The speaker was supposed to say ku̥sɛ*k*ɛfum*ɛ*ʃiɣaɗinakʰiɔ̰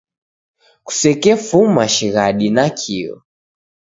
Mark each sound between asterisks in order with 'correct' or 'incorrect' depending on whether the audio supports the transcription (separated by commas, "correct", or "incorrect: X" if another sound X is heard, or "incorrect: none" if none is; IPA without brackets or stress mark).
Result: correct, incorrect: a